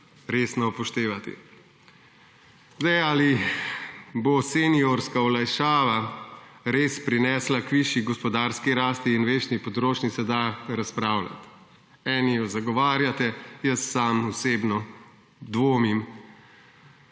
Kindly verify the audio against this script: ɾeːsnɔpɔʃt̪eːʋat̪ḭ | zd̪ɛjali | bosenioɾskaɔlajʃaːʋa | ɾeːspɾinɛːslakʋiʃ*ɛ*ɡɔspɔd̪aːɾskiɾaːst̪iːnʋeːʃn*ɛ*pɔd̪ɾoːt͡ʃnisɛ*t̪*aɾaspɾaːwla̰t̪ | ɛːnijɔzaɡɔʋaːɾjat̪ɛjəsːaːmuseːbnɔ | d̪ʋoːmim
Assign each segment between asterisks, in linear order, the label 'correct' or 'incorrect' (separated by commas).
incorrect, incorrect, incorrect